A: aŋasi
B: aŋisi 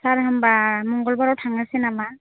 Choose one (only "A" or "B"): A